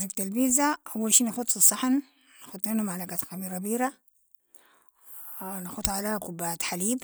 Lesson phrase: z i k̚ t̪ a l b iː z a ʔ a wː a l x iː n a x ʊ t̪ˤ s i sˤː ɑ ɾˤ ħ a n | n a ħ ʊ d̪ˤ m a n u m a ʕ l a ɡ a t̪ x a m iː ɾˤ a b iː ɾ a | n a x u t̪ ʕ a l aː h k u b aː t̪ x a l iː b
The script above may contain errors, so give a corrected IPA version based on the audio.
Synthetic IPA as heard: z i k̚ t̪ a l b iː z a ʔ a wː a l ʃ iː n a x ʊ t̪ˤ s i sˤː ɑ ħ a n | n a x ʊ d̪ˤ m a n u m a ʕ l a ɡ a t̪ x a m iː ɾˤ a b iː ɾ a | n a x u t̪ ʕ a l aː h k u b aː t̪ ħ a l iː b